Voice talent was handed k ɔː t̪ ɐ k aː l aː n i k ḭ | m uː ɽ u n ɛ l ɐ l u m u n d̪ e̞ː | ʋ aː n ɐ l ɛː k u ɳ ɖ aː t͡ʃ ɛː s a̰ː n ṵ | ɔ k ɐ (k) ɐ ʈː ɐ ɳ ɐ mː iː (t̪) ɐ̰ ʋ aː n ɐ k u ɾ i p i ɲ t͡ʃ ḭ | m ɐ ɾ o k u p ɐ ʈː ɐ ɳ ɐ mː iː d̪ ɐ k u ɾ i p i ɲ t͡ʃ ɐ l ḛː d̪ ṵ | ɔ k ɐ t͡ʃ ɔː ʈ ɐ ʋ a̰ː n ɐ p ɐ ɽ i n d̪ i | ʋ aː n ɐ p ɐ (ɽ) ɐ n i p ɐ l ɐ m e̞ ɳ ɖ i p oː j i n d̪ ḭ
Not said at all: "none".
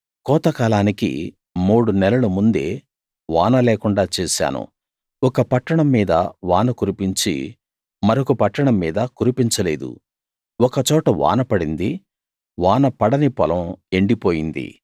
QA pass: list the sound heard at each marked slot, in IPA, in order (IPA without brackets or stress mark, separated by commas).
p, d̪, ɽ